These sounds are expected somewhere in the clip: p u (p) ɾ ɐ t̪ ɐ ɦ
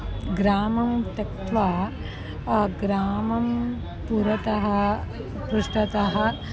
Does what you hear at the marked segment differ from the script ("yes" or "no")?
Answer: yes